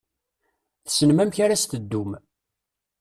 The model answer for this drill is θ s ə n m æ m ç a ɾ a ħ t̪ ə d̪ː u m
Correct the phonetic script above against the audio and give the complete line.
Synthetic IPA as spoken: θ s ə n m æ m ç a ɾ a s t̪ ə d̪ː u m